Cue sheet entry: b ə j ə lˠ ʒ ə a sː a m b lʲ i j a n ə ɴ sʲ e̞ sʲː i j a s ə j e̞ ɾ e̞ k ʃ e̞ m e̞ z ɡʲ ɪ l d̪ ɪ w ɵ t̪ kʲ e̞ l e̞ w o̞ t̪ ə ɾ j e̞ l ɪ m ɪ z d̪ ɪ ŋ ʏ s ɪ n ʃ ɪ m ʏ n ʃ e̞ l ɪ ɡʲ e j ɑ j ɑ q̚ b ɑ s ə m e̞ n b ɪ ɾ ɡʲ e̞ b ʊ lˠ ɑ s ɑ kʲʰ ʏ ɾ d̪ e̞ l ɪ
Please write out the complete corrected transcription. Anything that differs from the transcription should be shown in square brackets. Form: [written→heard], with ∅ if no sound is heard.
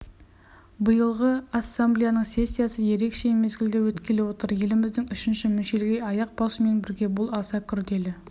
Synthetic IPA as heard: b ə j ə lˠ [ʒ→ʁ] ə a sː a m b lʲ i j a n ə ɴ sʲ e̞ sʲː i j a s ə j e̞ ɾ e̞ k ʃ e̞ m e̞ z ɡʲ ɪ l d̪ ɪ w ɵ t̪ kʲ e̞ l e̞ w o̞ t̪ ə ɾ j e̞ l ɪ m ɪ z d̪ ɪ ŋ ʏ [s→ʃ] ɪ n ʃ ɪ m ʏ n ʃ e̞ l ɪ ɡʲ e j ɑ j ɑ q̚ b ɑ s ə m e̞ n b ɪ ɾ ɡʲ e̞ b ʊ lˠ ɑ s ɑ kʲʰ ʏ ɾ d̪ e̞ l ɪ